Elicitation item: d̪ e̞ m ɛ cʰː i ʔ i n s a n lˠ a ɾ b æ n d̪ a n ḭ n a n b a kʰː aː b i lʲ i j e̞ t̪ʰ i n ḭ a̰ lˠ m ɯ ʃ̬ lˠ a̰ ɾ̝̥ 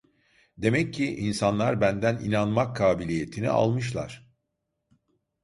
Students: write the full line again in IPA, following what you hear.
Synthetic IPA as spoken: d̪ e̞ m ɛ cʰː i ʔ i n s a n lˠ a ɾ b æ n d̪ æ n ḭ n a n m a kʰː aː b i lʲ i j e̞ t̪ʰ i n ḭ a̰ lˠ m ɯ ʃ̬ lˠ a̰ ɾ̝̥